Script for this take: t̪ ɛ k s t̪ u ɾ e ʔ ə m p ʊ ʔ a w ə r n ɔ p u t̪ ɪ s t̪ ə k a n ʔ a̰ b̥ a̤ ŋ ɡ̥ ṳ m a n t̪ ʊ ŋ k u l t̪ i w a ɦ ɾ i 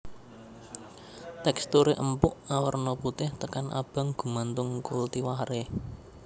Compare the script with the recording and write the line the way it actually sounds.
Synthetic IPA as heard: t̪ ɛ k s t̪ u ɾ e ʔ ə m p ʊ ʔ a w ə r n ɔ p u t̪ ɪ h t̪ ə k a n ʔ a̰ b̥ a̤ ŋ ɡ̥ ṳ m a n t̪ ʊ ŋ k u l t̪ i w a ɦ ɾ e